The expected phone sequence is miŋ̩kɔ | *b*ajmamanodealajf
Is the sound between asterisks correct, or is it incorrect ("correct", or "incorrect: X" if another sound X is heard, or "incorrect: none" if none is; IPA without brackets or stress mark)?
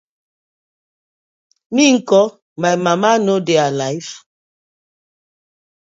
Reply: incorrect: m